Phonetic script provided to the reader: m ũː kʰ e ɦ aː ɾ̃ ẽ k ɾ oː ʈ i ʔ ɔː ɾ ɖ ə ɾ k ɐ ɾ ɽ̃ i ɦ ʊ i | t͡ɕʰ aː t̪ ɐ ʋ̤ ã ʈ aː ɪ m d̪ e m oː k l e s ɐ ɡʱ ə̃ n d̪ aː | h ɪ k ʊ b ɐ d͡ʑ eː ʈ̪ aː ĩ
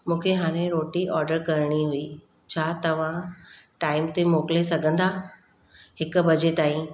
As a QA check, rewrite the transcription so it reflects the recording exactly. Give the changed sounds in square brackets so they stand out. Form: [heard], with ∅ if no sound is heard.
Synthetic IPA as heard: m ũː kʰ e ɦ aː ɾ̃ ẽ [∅] ɾ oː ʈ i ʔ ɔː ɾ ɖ ə ɾ k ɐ ɾ ɽ̃ i ɦ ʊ i | t͡ɕʰ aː t̪ ɐ ʋ̤ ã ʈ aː ɪ m [t̪] e m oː k l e s ɐ ɡʱ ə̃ n d̪ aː | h ɪ k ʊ b ɐ d͡ʑ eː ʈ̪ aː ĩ